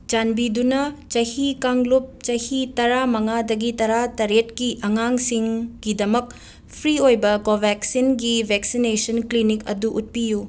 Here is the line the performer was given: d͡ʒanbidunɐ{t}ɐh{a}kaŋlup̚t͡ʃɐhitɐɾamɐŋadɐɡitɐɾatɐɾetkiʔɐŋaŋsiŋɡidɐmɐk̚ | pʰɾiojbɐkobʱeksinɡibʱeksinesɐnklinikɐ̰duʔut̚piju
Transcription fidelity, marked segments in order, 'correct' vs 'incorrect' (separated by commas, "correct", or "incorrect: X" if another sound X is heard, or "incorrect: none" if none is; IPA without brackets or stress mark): incorrect: t͡ʃ, incorrect: i